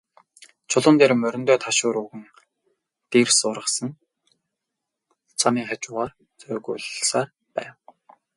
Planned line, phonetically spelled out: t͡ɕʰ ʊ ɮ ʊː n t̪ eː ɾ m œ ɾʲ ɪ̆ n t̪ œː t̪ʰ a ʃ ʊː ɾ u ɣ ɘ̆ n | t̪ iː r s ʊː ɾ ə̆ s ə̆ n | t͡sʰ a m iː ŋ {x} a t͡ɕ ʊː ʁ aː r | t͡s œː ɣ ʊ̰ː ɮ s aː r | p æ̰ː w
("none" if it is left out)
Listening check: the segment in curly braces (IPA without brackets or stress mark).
χ